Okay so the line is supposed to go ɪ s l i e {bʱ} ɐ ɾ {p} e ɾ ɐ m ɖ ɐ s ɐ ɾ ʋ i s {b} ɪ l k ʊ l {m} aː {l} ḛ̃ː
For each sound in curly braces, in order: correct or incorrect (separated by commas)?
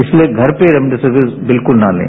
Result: incorrect, correct, correct, incorrect, correct